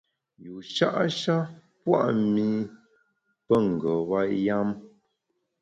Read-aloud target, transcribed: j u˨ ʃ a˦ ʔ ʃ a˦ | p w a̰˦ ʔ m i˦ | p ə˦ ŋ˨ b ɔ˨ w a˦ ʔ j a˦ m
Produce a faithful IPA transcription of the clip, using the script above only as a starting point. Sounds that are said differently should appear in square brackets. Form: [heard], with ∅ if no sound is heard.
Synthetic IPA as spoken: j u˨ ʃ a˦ ʔ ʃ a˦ | p w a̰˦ ʔ m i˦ | p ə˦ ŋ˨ [ɡ] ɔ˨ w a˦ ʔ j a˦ m